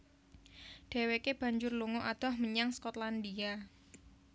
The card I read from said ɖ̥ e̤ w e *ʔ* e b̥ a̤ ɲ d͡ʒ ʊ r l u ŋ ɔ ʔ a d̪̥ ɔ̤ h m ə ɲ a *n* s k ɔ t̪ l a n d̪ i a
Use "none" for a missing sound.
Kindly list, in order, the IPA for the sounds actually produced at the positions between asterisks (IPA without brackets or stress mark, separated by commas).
k, ŋ